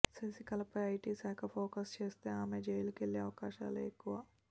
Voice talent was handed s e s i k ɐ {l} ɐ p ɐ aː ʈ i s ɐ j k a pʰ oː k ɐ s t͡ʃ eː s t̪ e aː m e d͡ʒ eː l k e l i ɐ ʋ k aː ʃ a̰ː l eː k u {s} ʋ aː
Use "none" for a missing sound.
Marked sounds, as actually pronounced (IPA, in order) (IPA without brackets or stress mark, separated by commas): l, none